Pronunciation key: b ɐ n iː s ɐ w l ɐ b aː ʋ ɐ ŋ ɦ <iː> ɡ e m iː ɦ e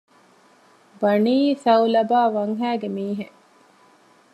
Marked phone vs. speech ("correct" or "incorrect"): incorrect